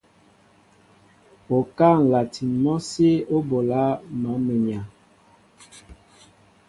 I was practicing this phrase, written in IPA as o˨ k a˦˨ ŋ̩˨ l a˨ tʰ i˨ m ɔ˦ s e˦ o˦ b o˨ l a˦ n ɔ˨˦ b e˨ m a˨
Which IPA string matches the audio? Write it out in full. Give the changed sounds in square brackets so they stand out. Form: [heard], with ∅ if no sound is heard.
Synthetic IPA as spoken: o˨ k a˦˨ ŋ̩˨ l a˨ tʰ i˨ m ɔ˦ s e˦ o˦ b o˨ l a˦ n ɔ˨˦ [m] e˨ [ɲ] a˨